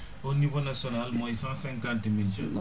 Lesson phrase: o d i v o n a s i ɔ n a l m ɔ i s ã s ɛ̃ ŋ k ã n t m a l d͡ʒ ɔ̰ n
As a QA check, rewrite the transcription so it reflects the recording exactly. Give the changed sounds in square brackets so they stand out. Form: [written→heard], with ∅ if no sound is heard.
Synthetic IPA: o [d→n] i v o n a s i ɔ n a l m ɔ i s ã s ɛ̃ ŋ k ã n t m [a→i] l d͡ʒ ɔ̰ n